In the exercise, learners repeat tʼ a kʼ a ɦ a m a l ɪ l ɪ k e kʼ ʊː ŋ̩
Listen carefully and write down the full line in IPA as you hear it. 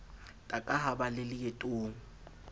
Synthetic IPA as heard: tʼ a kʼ a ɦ a b a l ɪ l ɪ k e tʼ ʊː ŋ̩